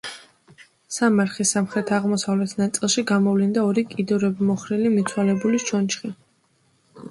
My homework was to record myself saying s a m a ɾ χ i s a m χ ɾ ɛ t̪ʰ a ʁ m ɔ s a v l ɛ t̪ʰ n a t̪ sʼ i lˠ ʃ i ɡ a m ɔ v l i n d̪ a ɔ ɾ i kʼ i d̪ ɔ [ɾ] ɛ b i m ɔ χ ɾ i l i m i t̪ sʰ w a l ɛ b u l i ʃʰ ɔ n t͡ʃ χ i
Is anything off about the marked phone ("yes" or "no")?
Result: no